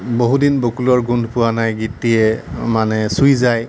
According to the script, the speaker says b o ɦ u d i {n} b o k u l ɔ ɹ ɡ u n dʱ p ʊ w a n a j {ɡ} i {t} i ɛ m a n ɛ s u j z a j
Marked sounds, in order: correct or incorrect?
correct, correct, correct

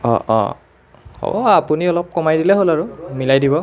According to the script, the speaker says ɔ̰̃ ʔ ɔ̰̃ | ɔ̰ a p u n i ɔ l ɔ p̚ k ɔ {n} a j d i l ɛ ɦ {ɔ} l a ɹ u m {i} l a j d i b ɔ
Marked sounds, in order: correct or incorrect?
incorrect: m, incorrect: o, correct

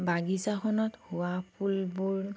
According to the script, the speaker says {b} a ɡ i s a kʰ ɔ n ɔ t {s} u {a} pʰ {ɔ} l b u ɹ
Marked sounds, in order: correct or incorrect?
correct, incorrect: h, correct, incorrect: u

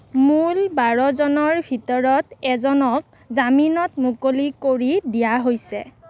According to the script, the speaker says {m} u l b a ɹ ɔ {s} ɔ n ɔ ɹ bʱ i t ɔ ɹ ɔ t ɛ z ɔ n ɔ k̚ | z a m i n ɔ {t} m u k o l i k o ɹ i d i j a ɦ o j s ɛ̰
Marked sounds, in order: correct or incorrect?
correct, incorrect: z, correct

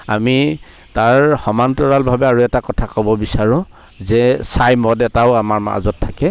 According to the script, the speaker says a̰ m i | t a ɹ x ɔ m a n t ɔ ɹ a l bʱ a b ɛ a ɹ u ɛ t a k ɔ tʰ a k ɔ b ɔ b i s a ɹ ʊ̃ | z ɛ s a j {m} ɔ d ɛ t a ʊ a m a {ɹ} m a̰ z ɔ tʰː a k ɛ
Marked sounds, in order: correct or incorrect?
correct, correct

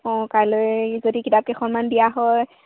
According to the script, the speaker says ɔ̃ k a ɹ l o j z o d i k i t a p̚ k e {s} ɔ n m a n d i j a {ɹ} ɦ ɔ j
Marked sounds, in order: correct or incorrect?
incorrect: x, incorrect: none

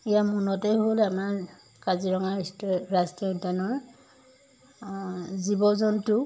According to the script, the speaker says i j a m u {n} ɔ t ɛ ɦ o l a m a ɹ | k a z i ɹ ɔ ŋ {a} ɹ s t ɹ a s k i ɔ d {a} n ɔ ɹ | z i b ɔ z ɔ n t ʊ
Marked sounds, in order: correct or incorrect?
correct, correct, correct

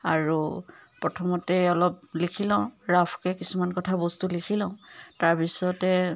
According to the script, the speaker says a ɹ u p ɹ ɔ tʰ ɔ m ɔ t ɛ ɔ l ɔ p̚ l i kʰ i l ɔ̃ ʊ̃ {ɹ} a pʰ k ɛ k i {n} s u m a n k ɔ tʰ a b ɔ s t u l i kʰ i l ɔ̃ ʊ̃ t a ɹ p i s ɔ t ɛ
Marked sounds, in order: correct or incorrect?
correct, incorrect: none

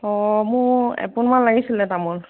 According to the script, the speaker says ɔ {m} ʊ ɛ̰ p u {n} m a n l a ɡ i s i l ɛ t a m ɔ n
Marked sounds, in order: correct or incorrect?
correct, correct

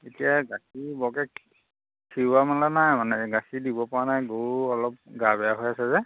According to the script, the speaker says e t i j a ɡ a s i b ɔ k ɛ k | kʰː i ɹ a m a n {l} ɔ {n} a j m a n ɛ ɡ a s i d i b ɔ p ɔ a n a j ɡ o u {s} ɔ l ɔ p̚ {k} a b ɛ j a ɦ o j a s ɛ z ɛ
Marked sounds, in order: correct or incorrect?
correct, correct, incorrect: none, incorrect: ɡ

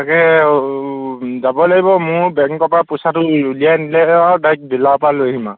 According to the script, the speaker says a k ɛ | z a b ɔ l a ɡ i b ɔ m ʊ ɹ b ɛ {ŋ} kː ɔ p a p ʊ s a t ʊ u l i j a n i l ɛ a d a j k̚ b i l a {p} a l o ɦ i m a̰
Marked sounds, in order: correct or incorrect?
correct, correct

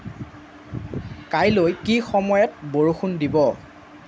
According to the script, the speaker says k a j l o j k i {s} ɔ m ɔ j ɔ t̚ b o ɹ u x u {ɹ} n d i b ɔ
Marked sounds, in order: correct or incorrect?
incorrect: x, incorrect: none

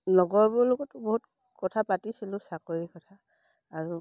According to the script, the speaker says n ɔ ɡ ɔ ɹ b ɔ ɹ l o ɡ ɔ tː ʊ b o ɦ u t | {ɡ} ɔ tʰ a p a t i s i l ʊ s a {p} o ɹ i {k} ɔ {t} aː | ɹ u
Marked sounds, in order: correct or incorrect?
incorrect: k, incorrect: k, correct, incorrect: tʰ

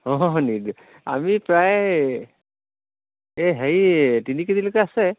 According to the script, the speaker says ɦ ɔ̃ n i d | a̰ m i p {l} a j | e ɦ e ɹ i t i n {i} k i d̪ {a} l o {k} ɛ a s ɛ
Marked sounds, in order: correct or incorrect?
incorrect: ɹ, correct, incorrect: i, correct

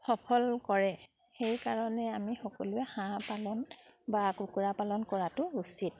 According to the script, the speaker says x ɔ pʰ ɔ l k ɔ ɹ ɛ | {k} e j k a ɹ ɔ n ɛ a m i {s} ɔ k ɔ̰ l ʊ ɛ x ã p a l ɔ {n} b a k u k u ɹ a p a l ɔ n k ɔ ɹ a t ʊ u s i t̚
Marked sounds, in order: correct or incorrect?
incorrect: x, incorrect: x, correct

